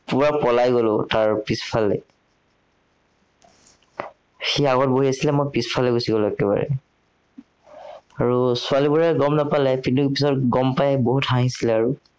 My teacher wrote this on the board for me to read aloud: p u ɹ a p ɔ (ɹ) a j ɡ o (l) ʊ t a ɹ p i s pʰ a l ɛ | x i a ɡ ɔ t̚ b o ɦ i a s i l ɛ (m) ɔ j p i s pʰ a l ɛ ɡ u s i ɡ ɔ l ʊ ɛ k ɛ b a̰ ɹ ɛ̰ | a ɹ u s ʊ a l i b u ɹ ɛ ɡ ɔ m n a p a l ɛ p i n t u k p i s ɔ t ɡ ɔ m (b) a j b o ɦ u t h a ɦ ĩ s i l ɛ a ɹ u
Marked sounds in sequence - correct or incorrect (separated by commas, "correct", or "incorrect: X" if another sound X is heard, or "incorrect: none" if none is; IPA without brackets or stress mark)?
incorrect: l, correct, correct, incorrect: p